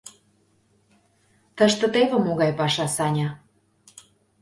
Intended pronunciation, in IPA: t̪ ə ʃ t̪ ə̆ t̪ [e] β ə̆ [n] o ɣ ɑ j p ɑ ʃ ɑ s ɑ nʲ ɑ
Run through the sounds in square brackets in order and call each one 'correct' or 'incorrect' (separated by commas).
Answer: correct, incorrect